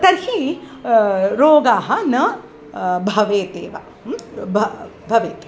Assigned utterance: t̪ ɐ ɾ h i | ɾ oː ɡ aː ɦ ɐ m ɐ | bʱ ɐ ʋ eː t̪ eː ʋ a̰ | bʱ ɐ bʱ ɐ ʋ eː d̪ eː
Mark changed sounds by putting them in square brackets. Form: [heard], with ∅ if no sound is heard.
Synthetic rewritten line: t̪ ɐ ɾ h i | ɾ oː ɡ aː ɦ ɐ [n] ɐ | bʱ ɐ ʋ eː t̪ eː ʋ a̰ | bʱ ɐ bʱ ɐ ʋ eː [t̪] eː